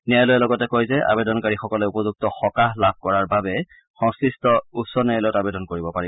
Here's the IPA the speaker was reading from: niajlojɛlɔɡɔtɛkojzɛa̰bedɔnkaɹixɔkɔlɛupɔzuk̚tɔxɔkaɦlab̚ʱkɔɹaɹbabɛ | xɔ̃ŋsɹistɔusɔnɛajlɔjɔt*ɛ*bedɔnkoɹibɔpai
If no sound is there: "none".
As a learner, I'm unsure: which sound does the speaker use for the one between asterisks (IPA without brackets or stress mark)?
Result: a